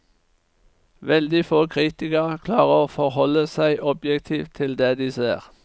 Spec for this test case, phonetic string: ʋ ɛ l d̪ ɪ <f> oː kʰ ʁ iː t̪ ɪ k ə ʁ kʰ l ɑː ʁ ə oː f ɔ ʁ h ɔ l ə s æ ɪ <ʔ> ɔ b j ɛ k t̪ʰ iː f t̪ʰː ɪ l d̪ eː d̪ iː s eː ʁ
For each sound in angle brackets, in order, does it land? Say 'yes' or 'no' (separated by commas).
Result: yes, yes